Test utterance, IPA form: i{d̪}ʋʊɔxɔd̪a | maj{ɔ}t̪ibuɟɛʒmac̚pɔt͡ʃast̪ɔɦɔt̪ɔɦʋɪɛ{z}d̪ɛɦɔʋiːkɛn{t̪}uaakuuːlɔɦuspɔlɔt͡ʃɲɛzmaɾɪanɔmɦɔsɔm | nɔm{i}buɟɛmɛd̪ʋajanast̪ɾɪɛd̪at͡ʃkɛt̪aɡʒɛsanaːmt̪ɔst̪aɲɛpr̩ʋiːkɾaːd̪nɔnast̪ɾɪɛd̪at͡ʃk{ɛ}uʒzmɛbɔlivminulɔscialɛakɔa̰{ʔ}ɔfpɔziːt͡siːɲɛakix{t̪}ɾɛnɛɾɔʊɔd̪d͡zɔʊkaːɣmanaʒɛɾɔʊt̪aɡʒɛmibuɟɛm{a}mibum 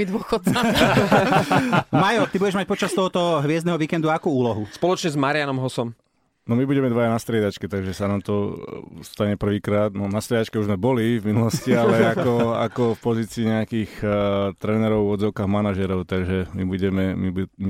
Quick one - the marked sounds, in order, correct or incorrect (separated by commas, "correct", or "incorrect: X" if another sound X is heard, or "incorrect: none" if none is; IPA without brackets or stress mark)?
correct, correct, correct, incorrect: d̪, correct, correct, incorrect: k, correct, incorrect: ɛ